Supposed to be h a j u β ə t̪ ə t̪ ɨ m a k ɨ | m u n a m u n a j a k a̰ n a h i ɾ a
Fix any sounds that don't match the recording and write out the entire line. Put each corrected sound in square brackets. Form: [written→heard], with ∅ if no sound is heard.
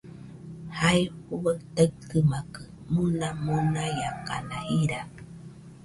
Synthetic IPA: h a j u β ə t̪ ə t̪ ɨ m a k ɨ | m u n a m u n a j a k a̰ n a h i ɾ a